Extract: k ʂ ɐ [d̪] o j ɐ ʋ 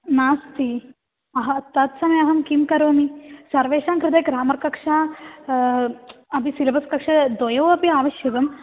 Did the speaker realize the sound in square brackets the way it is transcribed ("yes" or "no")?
yes